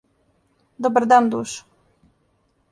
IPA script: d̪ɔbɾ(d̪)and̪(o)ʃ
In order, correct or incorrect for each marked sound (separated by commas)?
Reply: correct, incorrect